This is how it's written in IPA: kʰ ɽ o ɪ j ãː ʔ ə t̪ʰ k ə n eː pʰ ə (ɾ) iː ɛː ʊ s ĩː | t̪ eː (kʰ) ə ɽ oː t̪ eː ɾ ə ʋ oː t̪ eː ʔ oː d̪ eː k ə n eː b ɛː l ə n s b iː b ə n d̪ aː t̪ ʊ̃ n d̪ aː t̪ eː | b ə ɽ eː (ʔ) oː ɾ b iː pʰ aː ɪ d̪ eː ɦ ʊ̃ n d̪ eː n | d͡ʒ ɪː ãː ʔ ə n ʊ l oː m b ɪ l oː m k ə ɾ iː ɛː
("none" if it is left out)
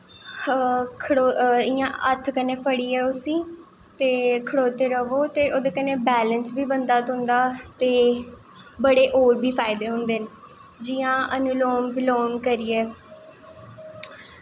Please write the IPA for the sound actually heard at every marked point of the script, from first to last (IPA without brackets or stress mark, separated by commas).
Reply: ɽ, kʰ, ʔ